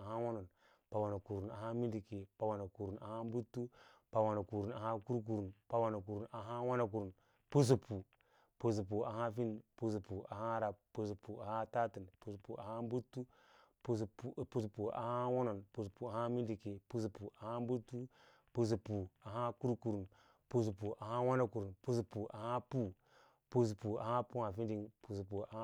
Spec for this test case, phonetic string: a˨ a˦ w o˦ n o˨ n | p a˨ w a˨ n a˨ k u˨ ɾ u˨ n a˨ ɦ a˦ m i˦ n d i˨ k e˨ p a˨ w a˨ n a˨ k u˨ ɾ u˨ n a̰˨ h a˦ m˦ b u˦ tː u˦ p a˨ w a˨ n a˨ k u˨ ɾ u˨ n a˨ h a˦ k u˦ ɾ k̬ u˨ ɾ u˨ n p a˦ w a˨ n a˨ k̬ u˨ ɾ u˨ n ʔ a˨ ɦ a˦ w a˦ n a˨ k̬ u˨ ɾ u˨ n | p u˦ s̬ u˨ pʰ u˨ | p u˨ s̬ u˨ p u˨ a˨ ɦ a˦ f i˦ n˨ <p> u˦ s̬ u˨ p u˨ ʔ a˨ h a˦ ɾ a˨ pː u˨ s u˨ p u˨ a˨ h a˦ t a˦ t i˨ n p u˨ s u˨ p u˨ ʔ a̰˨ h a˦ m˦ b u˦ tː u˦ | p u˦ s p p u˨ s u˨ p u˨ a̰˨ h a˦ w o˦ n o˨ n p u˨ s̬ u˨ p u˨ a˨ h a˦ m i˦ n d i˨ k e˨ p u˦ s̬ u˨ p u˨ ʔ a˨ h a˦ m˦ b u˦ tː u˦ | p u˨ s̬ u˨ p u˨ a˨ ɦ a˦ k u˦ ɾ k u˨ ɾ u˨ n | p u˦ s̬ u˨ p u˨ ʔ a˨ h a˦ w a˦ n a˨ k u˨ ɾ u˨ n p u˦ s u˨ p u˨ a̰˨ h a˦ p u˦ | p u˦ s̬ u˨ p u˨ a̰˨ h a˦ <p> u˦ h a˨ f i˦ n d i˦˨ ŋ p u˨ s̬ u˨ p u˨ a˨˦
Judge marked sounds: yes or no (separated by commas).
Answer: yes, yes